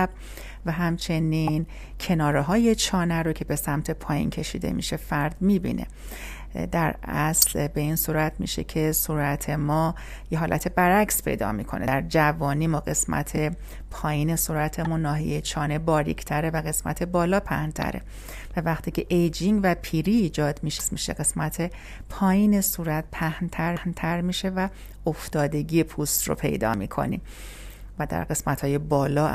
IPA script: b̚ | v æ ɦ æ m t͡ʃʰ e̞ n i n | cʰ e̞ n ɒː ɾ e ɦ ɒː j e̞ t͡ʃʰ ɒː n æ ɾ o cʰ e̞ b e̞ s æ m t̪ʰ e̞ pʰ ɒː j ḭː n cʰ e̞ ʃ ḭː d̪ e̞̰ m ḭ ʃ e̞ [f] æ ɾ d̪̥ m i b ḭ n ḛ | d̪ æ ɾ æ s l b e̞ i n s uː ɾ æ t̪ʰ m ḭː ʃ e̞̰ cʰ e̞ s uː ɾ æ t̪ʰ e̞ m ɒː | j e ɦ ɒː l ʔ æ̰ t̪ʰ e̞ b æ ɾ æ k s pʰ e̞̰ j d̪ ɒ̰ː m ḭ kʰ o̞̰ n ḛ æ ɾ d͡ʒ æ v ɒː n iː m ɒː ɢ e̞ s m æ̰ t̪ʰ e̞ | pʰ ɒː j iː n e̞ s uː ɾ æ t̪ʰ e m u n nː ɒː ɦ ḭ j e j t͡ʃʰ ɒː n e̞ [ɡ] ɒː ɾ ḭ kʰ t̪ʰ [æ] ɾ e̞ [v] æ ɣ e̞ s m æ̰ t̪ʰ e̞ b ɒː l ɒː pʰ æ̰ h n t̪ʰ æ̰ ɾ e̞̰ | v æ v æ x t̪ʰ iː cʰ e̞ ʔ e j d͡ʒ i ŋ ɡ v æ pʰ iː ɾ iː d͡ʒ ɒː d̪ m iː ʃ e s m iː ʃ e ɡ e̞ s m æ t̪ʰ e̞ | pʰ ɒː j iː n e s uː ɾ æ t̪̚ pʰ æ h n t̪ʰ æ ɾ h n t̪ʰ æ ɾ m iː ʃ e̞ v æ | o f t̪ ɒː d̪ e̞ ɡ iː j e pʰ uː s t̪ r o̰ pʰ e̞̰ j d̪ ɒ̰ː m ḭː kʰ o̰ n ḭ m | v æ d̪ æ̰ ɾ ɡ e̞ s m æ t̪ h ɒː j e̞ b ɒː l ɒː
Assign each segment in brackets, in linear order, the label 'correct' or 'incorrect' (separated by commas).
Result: correct, incorrect, correct, correct